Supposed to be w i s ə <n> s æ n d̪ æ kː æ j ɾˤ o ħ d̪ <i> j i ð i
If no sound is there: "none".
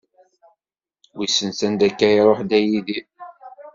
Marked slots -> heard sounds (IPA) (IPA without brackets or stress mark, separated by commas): n, æ